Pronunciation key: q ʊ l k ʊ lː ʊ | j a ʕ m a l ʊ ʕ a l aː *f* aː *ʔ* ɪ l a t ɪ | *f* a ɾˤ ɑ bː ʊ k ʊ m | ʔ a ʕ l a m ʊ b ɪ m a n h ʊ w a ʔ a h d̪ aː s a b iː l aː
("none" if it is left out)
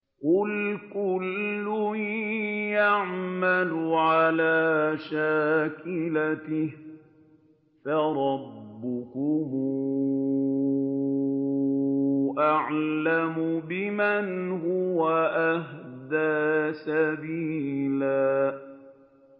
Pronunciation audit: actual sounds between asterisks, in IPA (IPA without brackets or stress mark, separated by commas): ʃ, k, f